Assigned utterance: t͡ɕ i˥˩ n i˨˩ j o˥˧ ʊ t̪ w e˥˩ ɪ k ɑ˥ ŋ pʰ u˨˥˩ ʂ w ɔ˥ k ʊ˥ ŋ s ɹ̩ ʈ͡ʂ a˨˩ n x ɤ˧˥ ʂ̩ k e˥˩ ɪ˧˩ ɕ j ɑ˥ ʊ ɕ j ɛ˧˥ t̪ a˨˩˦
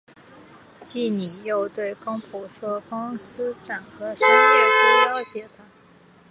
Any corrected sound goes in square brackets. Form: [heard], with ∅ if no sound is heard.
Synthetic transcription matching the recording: t͡ɕ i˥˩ n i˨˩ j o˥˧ ʊ t̪ w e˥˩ ɪ k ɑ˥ ŋ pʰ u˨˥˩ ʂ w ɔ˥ k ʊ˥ ŋ s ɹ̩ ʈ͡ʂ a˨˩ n x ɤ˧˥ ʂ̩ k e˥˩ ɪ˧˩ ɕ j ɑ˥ ʊ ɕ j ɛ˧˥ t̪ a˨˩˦